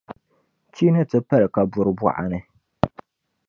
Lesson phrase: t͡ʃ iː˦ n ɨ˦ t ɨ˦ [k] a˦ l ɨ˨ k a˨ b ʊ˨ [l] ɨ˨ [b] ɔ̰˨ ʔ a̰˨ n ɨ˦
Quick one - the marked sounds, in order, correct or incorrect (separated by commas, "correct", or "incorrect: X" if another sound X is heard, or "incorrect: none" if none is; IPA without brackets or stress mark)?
incorrect: p, incorrect: ɾ, correct